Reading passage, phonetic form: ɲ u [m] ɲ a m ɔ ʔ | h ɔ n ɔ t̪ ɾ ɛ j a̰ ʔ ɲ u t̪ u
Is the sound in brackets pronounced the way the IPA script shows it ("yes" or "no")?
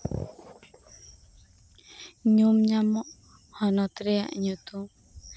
yes